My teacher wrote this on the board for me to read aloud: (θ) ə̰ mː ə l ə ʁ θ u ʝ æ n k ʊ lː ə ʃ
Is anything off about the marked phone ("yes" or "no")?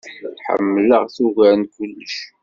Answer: yes